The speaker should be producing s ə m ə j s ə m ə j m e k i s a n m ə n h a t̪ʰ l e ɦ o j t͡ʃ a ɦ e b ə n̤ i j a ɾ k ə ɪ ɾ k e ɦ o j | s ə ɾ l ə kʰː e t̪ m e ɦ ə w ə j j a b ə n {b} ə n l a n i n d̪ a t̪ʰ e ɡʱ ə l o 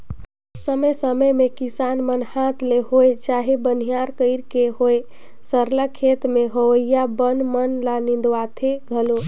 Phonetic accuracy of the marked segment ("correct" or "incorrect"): incorrect